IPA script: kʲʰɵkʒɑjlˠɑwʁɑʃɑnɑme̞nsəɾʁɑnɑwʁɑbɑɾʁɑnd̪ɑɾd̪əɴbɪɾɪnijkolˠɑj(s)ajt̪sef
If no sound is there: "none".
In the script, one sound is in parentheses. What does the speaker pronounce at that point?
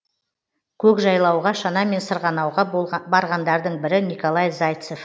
z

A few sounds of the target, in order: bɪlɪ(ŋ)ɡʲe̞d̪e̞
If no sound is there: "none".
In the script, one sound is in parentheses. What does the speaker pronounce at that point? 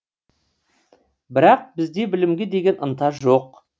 m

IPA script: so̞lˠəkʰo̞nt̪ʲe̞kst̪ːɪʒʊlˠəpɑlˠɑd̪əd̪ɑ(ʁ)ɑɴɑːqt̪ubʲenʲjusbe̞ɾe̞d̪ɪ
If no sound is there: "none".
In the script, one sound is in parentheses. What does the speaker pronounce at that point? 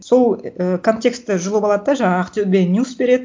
ʒ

